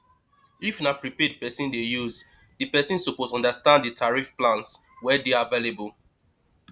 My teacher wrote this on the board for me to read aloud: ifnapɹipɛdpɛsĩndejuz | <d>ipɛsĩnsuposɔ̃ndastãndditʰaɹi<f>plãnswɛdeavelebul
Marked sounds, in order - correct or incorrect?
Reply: correct, correct

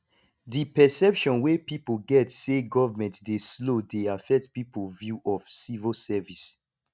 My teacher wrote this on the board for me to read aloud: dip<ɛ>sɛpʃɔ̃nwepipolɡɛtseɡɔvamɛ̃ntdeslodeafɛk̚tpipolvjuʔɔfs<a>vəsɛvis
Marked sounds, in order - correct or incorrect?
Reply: correct, incorrect: i

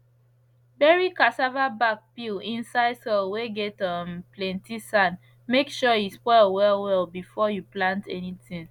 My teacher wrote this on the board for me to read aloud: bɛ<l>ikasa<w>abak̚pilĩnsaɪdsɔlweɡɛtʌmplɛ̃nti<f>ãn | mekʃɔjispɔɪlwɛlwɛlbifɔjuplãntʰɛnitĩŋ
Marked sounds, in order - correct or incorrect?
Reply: incorrect: ɹ, incorrect: v, incorrect: s

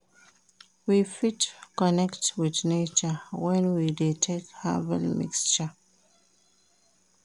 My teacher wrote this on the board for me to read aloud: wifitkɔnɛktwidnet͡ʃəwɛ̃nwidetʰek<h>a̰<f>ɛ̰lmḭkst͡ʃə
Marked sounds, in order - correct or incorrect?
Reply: correct, incorrect: v

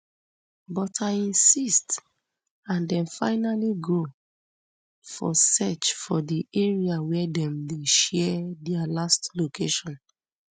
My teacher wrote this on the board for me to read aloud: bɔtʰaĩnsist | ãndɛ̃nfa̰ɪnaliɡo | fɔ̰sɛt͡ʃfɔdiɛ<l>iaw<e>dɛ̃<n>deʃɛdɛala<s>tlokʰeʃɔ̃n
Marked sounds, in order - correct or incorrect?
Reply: incorrect: ɹ, incorrect: ɛ, incorrect: m, correct

